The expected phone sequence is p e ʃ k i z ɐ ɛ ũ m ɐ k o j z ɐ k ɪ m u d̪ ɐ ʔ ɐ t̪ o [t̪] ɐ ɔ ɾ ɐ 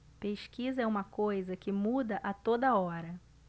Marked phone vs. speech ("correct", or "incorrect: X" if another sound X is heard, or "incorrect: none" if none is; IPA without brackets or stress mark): incorrect: d̪